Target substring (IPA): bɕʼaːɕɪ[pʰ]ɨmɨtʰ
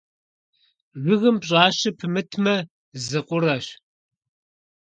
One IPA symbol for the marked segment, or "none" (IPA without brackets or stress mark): pʰ